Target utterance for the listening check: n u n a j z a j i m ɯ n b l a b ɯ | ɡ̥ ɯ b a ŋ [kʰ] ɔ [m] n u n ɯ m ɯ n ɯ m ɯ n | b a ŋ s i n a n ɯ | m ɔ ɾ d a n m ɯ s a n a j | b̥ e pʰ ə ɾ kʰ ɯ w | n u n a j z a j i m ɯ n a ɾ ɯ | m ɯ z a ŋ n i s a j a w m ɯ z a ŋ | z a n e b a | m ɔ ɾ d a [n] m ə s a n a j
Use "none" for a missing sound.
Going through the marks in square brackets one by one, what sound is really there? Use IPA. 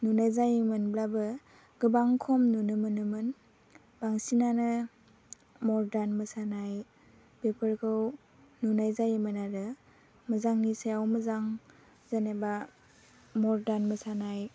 kʰ, m, n

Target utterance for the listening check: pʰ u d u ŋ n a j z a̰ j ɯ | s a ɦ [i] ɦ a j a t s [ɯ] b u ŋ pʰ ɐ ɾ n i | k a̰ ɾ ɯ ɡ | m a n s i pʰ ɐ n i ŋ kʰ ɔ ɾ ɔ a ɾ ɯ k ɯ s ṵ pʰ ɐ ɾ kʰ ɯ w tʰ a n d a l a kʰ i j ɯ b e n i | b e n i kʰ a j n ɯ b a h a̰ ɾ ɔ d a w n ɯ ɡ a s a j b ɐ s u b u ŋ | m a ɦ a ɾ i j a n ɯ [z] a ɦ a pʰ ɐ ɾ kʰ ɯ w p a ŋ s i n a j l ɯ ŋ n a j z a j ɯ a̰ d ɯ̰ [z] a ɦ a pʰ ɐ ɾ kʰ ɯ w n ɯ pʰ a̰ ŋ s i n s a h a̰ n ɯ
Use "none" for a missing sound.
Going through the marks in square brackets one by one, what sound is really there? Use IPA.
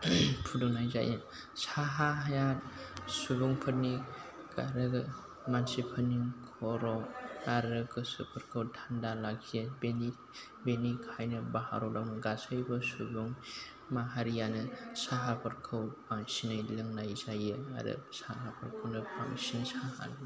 a, u, s, s

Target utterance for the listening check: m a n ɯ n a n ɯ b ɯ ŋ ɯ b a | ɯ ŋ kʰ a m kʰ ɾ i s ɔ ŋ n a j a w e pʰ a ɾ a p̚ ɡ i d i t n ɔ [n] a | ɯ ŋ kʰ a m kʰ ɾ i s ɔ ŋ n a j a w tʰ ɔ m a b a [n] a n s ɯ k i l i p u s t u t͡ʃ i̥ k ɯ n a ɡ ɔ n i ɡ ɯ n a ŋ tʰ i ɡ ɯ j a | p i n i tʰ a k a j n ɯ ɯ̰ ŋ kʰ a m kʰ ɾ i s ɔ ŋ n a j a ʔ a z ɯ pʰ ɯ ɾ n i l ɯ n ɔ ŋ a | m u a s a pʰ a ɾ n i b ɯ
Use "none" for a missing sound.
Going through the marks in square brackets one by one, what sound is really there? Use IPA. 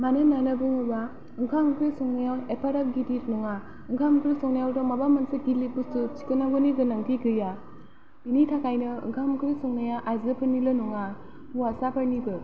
ŋ, m

